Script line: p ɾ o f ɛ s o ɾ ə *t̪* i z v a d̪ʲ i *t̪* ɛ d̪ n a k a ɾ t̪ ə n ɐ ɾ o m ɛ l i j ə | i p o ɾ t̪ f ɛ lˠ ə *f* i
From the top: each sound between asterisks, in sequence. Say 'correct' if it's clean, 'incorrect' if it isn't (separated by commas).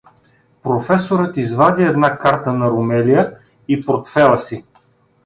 correct, incorrect, incorrect